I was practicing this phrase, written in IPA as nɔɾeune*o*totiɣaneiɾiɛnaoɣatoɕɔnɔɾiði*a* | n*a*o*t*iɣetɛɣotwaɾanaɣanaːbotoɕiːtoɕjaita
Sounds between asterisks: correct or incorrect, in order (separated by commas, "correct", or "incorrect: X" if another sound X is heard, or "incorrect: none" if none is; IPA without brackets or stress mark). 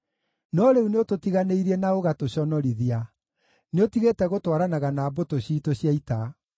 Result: correct, correct, incorrect: e, correct